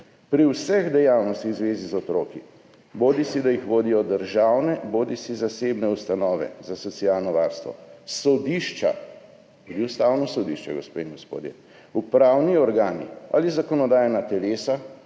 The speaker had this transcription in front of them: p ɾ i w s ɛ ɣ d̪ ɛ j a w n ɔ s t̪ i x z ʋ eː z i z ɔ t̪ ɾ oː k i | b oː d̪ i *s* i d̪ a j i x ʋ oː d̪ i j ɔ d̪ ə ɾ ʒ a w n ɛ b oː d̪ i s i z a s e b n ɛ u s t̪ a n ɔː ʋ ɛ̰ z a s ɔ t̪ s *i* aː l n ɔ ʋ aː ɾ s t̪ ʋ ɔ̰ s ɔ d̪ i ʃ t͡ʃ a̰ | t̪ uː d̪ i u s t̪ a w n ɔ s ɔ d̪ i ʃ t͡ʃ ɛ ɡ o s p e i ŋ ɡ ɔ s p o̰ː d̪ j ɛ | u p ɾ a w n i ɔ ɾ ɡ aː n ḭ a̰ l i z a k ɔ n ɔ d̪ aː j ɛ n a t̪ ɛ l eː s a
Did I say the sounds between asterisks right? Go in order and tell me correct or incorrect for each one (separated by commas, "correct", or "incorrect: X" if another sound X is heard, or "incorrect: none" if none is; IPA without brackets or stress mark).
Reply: correct, correct